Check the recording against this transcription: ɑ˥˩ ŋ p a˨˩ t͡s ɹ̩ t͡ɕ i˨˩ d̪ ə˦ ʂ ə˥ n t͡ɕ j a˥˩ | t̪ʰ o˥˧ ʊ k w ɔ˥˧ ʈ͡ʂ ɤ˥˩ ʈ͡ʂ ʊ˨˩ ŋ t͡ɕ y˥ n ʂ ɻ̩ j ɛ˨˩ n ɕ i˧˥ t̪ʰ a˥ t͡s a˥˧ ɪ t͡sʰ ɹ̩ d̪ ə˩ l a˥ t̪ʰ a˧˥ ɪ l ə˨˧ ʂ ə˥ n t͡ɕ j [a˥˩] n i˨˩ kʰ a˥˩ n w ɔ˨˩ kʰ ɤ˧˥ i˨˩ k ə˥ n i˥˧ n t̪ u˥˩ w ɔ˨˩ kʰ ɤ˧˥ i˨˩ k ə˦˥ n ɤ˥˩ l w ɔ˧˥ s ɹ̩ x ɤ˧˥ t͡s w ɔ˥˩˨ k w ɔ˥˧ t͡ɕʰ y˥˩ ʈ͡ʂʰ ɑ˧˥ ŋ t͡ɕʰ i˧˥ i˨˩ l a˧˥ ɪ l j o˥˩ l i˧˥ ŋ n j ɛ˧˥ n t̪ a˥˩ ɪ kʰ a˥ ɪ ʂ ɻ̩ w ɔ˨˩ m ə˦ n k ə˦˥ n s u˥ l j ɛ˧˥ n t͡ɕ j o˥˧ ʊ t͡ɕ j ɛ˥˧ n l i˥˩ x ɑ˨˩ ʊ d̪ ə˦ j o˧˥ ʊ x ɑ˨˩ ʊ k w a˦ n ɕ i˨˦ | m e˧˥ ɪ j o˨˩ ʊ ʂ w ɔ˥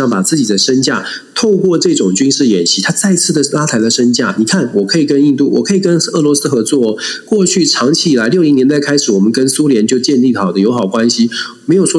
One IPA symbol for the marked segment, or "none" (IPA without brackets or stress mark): a˥˩